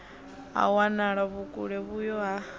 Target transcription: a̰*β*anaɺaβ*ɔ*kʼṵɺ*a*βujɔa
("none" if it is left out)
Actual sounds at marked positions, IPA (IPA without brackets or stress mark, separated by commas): w, u, ɛ